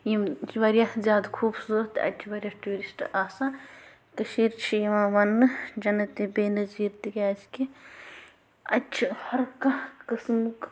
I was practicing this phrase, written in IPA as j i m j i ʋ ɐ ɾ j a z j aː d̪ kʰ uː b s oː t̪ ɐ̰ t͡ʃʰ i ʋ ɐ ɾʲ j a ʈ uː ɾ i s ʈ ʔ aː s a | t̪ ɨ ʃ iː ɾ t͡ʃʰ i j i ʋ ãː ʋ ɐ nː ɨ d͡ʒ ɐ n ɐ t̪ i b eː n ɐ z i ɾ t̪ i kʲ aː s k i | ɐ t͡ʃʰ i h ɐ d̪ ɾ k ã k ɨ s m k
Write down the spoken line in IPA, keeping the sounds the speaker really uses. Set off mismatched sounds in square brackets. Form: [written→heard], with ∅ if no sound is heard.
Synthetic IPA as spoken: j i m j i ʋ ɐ ɾ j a z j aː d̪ kʰ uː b s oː t̪ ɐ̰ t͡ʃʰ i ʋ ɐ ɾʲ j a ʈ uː ɾ i s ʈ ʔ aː s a | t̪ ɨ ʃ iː ɾ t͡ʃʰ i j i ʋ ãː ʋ ɐ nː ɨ d͡ʒ ɐ n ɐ t̪ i b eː n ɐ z i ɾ t̪ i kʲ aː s k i | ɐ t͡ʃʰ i h ɐ [d̪→∅] ɾ k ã k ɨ s m k